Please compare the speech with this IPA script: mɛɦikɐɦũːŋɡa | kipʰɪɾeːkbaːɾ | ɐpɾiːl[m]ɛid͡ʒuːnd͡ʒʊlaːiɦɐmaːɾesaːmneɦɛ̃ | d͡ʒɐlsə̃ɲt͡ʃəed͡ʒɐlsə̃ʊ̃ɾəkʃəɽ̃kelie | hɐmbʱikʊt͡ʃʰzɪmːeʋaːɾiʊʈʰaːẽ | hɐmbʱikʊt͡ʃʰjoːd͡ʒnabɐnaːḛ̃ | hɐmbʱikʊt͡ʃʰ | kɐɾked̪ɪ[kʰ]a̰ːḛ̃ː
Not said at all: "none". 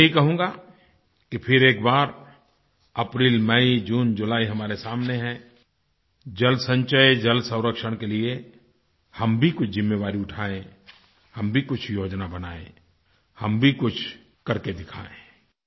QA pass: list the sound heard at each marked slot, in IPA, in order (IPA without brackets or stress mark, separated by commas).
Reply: m, kʰ